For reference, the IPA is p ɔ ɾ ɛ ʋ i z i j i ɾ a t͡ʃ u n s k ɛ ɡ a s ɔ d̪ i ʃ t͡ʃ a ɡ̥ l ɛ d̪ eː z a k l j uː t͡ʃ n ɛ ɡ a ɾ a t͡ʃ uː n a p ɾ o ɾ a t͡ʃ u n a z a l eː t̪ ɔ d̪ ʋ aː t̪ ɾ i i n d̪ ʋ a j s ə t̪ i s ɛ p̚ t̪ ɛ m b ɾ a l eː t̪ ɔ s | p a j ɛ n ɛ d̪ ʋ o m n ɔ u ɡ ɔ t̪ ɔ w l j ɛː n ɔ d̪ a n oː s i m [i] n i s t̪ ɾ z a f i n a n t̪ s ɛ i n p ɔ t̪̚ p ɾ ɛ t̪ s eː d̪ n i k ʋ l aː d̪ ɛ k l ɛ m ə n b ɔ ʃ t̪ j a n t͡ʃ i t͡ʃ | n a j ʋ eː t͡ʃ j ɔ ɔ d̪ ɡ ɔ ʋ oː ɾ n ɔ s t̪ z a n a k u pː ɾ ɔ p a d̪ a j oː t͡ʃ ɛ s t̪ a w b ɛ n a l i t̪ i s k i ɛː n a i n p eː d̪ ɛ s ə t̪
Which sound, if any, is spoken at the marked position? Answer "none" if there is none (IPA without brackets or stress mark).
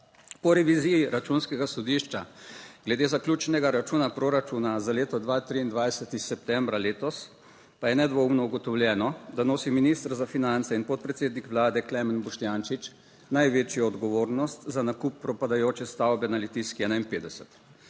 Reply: i